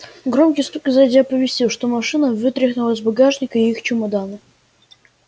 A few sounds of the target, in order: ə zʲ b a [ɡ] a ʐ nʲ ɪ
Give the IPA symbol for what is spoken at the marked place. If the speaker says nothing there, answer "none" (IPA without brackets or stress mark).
ɡ